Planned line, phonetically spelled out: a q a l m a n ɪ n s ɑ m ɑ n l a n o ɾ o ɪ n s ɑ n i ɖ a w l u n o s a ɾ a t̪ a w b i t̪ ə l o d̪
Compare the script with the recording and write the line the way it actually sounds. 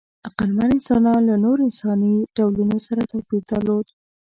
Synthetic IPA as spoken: a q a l m a n ɪ n s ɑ n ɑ n l a n o ɾ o ɪ n s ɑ n i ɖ a w l u n o s a ɾ a t̪ a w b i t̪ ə l o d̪